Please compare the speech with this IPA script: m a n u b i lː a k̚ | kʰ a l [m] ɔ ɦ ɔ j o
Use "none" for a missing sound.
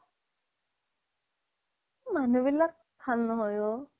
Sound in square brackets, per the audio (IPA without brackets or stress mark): n